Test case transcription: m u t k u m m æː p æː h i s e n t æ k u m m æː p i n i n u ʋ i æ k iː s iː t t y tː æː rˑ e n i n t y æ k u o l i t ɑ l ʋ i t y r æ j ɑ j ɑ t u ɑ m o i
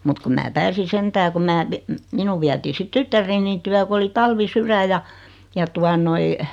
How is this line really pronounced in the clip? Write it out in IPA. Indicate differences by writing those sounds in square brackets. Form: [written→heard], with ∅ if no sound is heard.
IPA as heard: m u t k u m m æː p æː [h→s] i s e n t [æ→æː] k u m m æː p i [n→m] i n u ʋ i æ [k→t] iː s [iː→i] t t y tː [æː→æ] rˑ e n i n t y æ k u o l i t ɑ l ʋ i [t→s] y r æ j ɑ j ɑ t u ɑ [m→n] o i